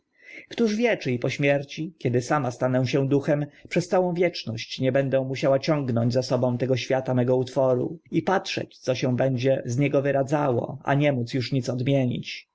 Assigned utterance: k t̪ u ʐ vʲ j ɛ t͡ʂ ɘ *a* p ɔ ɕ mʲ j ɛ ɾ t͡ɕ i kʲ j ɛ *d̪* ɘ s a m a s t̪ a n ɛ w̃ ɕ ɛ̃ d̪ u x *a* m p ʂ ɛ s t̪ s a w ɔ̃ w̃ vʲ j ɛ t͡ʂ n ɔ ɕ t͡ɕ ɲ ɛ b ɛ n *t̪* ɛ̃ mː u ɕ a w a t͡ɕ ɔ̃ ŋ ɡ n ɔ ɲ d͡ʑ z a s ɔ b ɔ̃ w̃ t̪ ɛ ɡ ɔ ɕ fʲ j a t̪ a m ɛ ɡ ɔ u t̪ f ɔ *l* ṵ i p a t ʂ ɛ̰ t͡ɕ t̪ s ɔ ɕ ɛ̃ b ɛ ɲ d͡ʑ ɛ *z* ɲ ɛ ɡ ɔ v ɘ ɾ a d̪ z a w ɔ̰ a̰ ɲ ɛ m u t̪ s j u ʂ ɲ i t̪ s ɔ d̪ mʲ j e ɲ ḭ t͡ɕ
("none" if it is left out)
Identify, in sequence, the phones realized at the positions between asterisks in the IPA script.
i, d̪, ɛ, d̪, ɾ, z

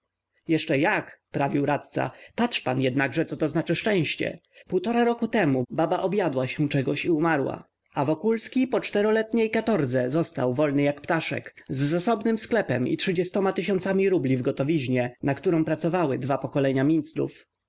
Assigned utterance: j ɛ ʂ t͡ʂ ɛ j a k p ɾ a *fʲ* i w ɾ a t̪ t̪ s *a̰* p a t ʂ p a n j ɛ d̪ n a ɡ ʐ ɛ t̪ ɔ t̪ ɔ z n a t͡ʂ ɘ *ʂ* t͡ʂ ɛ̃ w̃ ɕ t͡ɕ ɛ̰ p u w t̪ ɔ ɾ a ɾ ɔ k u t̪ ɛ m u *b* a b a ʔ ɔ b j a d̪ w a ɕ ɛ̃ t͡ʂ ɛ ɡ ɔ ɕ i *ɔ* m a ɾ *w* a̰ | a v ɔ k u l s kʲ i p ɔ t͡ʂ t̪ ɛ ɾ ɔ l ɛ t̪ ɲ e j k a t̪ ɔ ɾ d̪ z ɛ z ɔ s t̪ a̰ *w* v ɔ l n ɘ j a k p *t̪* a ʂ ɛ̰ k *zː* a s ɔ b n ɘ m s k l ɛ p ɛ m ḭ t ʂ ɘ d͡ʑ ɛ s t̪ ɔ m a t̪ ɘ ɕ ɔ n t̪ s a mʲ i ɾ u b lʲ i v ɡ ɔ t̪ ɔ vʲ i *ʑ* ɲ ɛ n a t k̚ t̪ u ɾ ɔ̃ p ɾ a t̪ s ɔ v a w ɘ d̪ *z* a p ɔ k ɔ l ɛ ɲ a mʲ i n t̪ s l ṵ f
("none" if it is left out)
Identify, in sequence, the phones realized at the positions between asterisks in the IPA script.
vʲ, a̰, ʂ, b, u, w, w, t̪, zː, ʑ, v

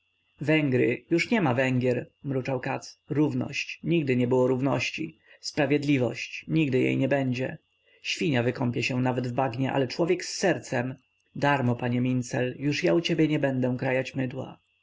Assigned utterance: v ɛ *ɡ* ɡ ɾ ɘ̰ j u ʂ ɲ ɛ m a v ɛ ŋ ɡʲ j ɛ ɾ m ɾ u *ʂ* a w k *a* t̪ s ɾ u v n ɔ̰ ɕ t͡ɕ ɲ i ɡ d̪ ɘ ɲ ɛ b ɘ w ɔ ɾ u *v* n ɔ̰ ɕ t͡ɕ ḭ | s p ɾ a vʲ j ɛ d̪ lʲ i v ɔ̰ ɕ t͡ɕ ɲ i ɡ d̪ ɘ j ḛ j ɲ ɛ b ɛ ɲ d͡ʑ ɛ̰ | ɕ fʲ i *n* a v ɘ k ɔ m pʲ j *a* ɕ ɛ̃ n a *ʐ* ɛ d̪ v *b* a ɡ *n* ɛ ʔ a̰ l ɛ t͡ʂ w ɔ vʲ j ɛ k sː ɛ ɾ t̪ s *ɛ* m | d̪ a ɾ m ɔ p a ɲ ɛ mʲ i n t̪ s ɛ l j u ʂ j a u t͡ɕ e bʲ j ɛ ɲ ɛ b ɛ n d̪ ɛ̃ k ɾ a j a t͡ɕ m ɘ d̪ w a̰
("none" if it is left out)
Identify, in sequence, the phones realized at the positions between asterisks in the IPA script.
ŋ, t͡ʂ, a, v, ɲ, ɛ, v, b, ɲ, ɛ

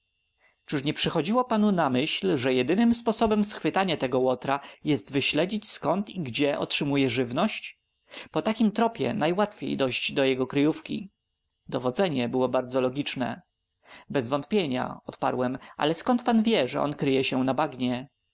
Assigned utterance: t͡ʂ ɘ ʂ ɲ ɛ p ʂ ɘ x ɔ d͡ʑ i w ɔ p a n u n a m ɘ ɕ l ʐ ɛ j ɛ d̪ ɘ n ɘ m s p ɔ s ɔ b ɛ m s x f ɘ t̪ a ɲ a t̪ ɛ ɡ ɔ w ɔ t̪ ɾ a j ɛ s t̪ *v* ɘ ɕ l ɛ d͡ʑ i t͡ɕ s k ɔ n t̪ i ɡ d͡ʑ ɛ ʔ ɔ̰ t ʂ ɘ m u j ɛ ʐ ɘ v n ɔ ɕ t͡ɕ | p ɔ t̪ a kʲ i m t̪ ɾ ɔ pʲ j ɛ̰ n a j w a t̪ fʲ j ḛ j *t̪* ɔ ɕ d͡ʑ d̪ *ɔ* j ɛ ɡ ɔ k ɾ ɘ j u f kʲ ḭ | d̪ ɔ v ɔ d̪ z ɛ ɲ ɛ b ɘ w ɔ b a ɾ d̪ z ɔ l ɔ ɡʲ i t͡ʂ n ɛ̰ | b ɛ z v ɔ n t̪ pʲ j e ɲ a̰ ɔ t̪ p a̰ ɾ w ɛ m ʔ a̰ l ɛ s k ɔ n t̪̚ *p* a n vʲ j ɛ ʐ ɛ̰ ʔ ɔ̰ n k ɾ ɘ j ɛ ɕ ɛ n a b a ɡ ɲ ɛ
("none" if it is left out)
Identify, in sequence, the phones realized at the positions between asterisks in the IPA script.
v, d̪, ɔ, p

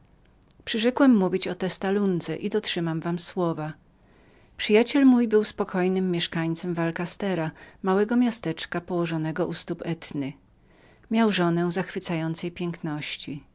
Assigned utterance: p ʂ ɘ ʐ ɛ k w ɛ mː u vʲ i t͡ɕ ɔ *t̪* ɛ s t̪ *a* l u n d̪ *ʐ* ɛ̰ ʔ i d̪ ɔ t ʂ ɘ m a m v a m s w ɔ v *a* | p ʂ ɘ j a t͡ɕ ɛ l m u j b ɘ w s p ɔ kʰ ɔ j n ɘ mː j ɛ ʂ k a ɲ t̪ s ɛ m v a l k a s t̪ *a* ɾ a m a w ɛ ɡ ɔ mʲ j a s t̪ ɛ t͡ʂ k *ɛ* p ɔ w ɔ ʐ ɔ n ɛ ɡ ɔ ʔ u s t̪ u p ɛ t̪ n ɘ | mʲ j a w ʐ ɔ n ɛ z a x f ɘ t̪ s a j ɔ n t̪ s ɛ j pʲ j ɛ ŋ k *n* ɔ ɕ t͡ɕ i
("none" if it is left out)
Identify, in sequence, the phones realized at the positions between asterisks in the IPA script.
t̪, a, z, a, ɛ, a, n

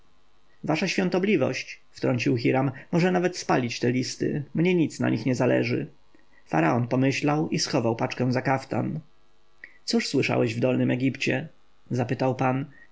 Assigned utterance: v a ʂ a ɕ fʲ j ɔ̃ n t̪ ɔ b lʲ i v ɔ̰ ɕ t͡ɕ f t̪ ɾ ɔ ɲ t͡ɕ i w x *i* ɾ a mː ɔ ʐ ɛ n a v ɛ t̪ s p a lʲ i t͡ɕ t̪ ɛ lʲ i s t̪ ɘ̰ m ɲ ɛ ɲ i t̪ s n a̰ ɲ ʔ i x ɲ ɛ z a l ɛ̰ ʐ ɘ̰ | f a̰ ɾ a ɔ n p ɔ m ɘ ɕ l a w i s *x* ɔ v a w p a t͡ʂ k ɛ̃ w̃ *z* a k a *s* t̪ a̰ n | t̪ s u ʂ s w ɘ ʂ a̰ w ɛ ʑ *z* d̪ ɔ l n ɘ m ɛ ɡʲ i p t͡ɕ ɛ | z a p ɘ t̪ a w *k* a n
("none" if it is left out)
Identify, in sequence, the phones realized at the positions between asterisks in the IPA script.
i, x, z, f, v, p

